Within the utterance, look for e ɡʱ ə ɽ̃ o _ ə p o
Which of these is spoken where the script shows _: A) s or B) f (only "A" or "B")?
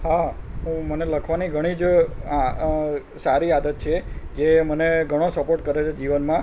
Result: A